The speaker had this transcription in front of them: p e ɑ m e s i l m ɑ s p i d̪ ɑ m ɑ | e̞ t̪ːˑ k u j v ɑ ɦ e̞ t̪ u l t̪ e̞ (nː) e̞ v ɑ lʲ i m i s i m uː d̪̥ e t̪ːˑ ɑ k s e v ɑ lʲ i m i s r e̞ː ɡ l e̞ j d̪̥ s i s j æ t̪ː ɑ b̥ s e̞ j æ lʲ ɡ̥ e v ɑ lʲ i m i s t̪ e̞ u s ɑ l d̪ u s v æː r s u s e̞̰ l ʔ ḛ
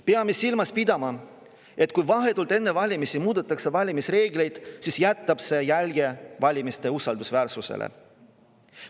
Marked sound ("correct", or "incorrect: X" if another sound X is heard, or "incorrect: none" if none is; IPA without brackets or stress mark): correct